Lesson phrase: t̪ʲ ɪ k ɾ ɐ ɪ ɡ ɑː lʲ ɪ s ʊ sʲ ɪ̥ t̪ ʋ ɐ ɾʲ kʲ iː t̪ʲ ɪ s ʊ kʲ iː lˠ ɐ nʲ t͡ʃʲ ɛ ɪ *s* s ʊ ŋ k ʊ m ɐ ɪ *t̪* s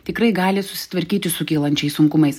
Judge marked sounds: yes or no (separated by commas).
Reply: yes, no